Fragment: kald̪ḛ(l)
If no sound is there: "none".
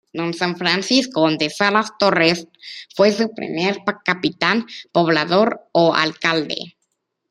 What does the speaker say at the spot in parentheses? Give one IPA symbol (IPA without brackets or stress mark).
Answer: none